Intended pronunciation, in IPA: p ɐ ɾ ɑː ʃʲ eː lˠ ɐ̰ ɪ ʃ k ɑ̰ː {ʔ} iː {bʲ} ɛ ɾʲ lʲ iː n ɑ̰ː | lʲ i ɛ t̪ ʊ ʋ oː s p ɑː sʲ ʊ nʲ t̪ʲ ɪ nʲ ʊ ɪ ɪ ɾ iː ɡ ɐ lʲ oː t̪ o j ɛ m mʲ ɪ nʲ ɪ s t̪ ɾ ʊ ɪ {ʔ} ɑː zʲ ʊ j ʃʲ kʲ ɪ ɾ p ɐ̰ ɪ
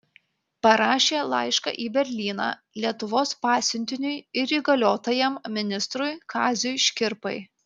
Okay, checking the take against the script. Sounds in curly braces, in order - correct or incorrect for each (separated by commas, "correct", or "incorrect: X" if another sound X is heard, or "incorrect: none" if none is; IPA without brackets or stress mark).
correct, correct, incorrect: k